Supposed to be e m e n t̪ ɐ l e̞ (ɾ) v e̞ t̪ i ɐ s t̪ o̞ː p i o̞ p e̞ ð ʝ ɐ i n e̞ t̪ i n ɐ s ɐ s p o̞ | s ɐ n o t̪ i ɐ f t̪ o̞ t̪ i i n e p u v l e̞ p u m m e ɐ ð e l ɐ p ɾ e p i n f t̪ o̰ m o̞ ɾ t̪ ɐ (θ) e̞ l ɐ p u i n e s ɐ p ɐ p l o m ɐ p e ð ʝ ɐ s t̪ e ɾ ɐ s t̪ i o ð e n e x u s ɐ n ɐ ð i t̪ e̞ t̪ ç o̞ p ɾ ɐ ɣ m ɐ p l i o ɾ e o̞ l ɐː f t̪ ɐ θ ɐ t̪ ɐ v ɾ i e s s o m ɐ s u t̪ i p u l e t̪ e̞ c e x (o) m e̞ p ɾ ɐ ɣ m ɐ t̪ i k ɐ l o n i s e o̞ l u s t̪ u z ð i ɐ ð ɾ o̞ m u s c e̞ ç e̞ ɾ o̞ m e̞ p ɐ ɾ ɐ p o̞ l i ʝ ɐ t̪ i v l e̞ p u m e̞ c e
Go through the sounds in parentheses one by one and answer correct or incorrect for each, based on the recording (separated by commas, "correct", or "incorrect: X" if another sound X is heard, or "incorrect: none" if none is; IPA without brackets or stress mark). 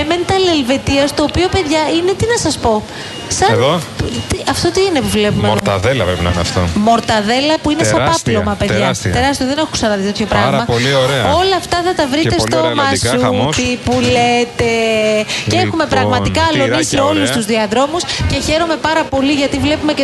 incorrect: l, incorrect: ð, incorrect: u